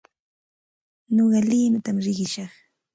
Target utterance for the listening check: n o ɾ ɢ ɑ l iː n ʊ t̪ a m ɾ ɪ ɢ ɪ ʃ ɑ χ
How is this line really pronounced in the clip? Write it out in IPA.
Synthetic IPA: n o ɢ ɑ l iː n ʊ t̪ a m ɾ ɪ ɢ ɪ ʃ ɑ χ

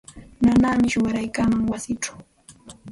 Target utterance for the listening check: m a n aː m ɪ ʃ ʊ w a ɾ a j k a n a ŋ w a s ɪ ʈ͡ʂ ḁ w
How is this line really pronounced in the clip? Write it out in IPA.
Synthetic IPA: n a n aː m ɪ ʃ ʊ w a ɾ a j k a m a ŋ w a s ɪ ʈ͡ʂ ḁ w

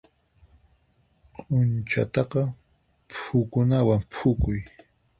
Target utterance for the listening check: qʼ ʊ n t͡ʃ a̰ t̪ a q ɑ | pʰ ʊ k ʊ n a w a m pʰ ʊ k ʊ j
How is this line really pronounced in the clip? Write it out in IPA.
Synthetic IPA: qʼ ʊ n t͡ʃ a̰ t̪ ɑ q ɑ | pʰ ʊ k ʊ n a w a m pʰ ʊ k ʊ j

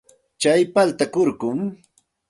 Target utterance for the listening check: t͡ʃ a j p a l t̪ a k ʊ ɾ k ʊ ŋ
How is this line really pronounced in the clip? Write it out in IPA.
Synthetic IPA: t͡ʃ a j p a l t̪ a k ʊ ɾ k ʊ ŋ

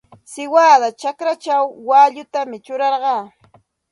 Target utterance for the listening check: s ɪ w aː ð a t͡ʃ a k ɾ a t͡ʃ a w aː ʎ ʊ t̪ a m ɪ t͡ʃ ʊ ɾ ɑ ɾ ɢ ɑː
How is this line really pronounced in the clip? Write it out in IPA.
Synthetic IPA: s ɪ w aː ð a t͡ʃ a k ɾ a t͡ʃ a wː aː ʎ ʊ t̪ a m ɪ t͡ʃ ʊ ɾ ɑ ɾ ɢ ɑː

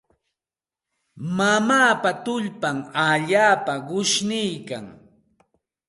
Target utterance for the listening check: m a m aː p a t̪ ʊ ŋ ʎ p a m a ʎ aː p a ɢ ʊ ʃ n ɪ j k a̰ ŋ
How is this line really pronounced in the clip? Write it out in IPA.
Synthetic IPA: m a m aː p a t̪ ʊ ʎ p a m a ʎ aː p a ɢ ʊ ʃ n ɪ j k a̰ ŋ

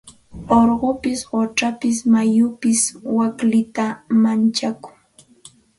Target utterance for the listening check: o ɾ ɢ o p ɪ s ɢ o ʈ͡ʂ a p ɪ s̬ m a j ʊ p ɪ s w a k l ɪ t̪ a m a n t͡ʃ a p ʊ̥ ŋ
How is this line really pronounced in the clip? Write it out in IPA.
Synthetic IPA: o ɾ ɢ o p ɪ s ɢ o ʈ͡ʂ a p ɪ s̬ m a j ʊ p ɪ s w a k l ɪ t̪ a m a n t͡ʃ a k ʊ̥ ŋ

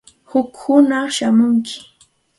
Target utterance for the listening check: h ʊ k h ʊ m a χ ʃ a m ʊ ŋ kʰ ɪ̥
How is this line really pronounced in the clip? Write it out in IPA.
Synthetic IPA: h ʊ k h ʊ n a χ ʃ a m ʊ ŋ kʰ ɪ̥

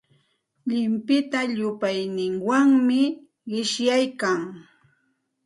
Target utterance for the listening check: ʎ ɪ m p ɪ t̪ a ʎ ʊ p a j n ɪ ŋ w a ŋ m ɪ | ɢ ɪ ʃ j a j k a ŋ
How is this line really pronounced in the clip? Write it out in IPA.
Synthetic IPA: ʎ ɪ m p ɪ t̪ a ʎ ʊ p a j n ɪ ŋ w a ŋ m ɪ | ɢ ɪ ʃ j a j k a ŋ

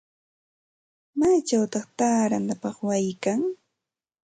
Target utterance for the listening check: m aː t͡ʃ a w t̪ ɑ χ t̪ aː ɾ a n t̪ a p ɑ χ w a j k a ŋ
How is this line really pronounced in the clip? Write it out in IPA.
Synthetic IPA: m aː t͡ʃ a w t̪ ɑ χ t̪ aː ɾ a n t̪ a p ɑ χ w a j k a ŋ

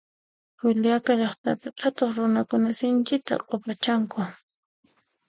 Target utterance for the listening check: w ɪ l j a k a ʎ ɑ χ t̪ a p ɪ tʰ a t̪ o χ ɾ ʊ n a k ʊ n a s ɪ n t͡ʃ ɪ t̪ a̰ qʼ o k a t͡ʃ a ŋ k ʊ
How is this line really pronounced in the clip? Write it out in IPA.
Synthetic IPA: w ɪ l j a k a ʎ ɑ χ t̪ a p ɪ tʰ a t̪ o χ ɾ ʊ n a k ʊ n a s ɪ n t͡ʃ ɪ t̪ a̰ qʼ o p a t͡ʃ a ŋ k ʊ

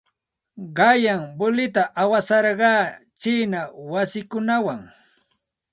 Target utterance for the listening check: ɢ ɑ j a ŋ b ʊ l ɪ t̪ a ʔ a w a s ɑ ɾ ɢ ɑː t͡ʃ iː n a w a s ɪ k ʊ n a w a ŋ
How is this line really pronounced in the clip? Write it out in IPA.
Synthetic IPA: ɢ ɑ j a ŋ b ʊ l ɪ t̪ a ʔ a w a s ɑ ɾ ɢ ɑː t͡ʃ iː n a w a s ɪ k ʊ n a w a ŋ

